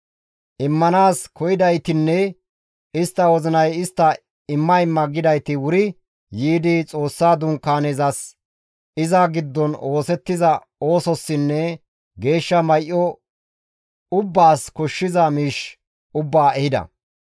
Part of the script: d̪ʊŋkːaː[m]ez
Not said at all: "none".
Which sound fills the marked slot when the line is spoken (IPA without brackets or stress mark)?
n